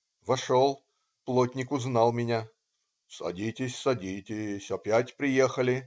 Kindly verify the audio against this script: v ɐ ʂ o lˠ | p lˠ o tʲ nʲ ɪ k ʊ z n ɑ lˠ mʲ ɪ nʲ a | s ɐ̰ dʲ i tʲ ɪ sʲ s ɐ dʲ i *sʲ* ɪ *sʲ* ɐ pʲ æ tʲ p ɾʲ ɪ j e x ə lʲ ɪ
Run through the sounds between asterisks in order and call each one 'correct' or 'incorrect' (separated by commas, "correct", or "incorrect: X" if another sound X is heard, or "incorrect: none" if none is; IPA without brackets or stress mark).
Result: incorrect: tʲ, correct